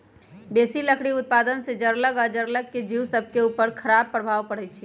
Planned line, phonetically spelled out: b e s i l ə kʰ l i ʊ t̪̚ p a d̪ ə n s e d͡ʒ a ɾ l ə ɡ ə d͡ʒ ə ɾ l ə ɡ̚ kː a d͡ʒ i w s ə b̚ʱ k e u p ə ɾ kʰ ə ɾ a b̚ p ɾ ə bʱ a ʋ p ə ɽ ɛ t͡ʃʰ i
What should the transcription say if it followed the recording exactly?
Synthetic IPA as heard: b e s i l ə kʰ ɽ i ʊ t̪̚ p a d̪ ə n s e d͡ʒ ə ɾ l ə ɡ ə d͡ʒ ə ɾ l ə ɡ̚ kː e d͡ʒ i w s ə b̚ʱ k e u p ə ɾ kʰ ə ɾ a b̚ p ɾ ə bʱ a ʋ p ə ɽ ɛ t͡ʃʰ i